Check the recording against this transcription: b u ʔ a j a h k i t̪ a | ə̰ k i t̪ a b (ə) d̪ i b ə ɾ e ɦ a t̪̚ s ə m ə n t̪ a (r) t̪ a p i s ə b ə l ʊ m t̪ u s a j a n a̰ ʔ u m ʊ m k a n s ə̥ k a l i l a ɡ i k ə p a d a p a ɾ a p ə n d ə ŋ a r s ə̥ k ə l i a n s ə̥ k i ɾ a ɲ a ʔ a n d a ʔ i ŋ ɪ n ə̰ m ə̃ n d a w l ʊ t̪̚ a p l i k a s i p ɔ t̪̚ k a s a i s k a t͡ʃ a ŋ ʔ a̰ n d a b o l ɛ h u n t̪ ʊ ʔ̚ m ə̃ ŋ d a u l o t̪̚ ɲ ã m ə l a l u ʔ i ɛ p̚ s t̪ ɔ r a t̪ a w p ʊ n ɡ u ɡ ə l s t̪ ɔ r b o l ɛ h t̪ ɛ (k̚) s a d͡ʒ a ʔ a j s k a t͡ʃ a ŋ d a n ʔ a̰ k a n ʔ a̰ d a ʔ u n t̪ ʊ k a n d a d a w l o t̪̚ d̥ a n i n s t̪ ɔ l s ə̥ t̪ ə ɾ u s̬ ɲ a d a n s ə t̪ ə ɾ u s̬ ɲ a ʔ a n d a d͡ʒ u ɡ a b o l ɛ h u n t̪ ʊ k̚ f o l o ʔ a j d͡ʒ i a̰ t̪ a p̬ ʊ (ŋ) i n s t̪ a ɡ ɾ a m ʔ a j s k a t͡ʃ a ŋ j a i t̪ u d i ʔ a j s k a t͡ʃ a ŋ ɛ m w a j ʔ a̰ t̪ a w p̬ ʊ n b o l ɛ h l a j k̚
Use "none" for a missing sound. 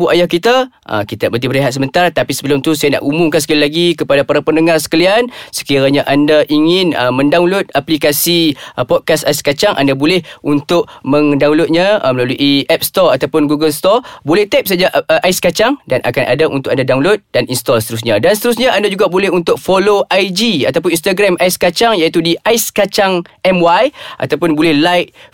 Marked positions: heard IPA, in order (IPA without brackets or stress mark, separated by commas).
ə, r, p̚, n